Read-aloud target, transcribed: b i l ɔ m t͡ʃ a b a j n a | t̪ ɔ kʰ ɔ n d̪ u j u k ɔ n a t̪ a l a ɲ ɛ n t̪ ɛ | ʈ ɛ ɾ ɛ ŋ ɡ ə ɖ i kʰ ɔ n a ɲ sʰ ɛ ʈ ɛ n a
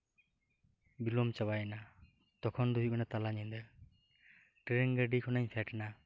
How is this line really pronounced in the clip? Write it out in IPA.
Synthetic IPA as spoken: b i l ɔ m t͡ʃ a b a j n a | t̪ ɔ kʰ ɔ n d̪ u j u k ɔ n a t̪ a l a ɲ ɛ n d̪ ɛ | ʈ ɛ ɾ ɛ ŋ ɡ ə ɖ i kʰ ɔ n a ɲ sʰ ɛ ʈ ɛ n a